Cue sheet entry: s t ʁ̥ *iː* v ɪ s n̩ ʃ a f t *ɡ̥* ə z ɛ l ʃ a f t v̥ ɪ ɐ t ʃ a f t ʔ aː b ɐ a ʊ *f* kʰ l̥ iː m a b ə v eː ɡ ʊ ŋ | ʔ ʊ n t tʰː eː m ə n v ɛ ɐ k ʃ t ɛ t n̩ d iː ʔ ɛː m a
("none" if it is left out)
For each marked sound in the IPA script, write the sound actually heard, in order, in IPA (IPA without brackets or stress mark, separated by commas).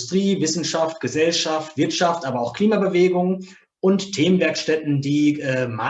iː, ɡ̥, x